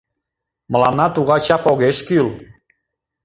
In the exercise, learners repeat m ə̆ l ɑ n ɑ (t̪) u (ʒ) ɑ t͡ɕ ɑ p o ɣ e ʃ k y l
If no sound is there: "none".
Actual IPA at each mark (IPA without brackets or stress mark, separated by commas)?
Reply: t̪, ɣ